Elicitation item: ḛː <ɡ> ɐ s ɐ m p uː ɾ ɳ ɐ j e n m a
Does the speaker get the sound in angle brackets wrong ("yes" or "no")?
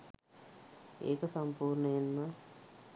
yes